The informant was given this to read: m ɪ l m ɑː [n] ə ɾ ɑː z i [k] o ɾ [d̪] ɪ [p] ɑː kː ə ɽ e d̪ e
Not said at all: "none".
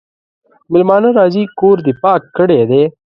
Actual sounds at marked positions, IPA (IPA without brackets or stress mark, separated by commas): n, k, d̪, p